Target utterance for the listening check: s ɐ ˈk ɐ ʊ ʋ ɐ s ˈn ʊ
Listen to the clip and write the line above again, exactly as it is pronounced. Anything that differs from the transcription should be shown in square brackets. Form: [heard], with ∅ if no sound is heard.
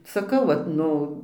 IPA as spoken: s ɐ ˈk ɐ ʊ ʋ ɐ [t] ˈn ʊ